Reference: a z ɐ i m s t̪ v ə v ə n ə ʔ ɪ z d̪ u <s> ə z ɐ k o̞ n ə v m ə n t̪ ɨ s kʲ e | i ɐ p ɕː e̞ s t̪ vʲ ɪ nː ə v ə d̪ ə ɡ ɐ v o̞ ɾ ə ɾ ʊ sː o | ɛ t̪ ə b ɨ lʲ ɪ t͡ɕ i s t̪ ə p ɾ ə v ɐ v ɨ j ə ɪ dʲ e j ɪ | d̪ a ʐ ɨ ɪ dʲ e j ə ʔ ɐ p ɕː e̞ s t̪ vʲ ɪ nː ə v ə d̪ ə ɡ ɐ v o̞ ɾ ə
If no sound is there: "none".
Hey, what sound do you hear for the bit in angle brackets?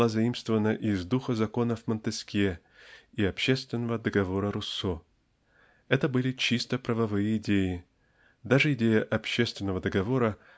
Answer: x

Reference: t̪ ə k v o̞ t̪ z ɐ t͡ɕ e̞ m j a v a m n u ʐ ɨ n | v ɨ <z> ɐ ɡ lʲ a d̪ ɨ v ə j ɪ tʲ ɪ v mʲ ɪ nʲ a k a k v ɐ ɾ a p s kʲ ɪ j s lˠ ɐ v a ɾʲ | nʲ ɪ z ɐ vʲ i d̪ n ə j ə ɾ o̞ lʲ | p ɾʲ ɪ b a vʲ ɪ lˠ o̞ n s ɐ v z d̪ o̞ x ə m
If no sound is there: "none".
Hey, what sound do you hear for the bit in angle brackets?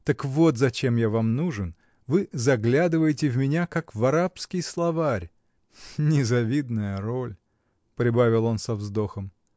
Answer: z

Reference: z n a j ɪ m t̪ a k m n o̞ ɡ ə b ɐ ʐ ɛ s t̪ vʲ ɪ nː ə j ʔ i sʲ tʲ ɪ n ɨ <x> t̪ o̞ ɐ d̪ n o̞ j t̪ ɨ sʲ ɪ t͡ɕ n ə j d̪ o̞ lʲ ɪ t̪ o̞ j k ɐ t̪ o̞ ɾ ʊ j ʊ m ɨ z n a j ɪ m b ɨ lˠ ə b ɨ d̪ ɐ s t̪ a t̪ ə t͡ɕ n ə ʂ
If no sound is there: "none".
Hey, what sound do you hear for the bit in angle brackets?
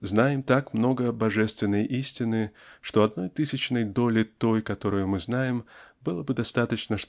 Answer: ʂ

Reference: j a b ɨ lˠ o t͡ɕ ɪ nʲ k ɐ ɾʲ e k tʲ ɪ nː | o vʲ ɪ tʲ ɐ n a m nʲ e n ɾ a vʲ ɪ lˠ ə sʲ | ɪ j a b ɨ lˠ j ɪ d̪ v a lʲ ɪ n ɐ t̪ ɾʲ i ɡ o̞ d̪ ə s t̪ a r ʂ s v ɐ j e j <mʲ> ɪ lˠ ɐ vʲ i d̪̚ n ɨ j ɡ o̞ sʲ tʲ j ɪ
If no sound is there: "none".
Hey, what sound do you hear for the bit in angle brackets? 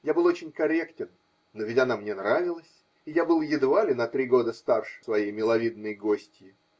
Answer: mʲ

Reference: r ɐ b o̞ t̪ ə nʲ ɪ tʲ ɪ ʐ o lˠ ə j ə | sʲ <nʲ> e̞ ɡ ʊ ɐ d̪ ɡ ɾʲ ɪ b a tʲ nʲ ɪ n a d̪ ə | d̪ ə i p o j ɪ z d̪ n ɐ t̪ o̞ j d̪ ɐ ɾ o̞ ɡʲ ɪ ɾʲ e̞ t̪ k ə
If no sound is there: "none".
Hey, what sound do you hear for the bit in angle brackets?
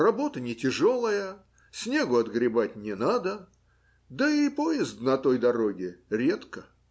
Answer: nʲ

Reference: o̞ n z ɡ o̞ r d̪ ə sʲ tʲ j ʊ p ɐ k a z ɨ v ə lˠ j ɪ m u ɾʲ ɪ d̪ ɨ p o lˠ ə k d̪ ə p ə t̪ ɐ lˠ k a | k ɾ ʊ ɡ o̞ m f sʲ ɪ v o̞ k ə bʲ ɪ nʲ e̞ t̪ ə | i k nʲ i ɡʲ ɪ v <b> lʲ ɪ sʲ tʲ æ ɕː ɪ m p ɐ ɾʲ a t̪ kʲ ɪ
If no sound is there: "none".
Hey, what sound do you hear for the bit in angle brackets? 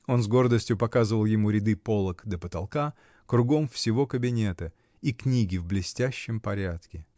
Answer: b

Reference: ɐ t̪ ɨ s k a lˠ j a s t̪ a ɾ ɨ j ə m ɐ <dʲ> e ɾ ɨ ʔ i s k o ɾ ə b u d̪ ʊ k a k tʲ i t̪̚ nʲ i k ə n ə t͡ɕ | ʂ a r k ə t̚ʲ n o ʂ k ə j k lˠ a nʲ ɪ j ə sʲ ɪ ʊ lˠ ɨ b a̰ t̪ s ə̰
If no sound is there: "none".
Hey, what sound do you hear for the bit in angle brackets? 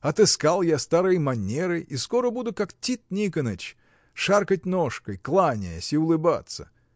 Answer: nʲ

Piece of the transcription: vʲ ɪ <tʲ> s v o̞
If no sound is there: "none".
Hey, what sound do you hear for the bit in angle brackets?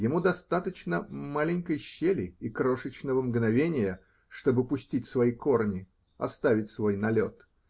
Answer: tʲ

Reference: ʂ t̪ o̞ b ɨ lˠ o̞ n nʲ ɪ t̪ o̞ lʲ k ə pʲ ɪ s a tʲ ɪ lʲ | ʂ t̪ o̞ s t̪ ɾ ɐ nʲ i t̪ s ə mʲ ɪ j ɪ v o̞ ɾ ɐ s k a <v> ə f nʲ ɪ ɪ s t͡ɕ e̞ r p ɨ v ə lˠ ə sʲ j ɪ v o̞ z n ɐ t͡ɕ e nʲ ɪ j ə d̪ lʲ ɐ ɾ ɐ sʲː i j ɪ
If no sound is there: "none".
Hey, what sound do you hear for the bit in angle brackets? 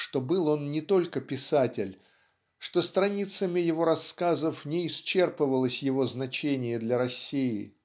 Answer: z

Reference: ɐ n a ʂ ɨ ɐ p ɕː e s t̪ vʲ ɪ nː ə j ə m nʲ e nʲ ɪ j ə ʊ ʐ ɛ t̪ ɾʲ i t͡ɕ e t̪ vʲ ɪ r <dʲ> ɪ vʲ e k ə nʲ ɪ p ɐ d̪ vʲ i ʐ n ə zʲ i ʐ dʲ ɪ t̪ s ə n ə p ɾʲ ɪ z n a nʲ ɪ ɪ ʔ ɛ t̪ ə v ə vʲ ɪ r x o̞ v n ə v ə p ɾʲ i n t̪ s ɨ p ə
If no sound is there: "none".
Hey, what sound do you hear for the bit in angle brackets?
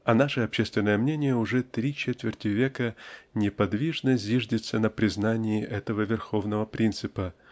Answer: tʲ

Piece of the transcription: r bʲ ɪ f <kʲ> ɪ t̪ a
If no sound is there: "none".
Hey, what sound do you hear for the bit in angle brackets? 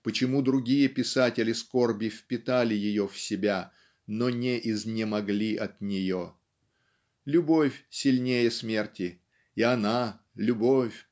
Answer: pʲ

